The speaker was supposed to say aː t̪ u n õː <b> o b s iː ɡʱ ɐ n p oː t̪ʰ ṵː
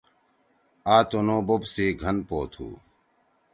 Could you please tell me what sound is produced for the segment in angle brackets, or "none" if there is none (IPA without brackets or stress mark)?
b